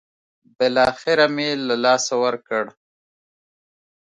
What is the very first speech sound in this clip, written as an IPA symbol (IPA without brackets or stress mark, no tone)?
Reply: b